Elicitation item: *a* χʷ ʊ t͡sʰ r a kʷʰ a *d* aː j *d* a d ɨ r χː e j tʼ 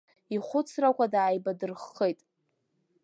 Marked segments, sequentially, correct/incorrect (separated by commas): incorrect, correct, incorrect